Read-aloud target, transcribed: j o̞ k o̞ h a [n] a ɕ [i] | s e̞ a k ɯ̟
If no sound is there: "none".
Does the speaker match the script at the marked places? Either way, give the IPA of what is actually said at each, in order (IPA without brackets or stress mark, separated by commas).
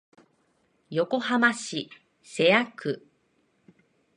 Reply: m, i